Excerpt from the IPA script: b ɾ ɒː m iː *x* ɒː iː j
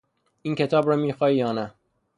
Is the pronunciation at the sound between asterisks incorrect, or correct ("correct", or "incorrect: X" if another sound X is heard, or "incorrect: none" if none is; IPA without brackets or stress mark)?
correct